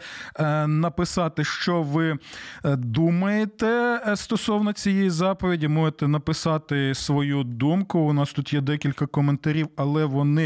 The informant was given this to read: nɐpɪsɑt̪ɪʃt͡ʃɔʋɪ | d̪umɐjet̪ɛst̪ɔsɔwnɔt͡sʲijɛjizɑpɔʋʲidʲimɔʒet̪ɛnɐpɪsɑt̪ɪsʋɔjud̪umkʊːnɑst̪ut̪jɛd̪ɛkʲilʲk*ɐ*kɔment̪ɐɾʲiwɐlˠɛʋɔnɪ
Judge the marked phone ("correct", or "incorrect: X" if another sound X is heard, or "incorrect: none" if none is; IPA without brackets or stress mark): correct